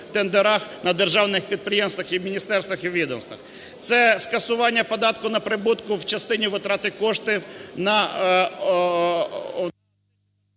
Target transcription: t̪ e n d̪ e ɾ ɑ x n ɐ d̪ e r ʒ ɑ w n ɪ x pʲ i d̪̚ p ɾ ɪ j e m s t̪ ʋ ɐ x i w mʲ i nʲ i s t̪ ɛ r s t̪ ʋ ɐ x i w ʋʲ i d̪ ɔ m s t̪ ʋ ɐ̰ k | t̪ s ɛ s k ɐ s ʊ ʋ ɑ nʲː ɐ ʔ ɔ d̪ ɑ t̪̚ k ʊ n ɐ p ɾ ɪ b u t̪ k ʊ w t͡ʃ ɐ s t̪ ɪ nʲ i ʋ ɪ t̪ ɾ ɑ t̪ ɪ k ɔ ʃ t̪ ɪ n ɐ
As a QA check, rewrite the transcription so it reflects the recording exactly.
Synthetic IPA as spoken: t̪ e n d̪ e ɾ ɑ x n ɐ d̪ e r ʒ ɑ w n ɪ x pʲ i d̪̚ p ɾ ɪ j e m s t̪ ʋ ɐ x i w mʲ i nʲ i s t̪ ɛ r s t̪ ʋ ɐ x i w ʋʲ i d̪ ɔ m s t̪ ʋ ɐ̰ x | t̪ s ɛ s k ɐ s ʊ ʋ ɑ nʲː ɐ p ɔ d̪ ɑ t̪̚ k ʊ n ɐ p ɾ ɪ b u t̪ k ʊ w t͡ʃ ɐ s t̪ ɪ nʲ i ʋ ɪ t̪ ɾ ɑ t̪ ɪ k ɔ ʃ t̪ ɪ n ɐ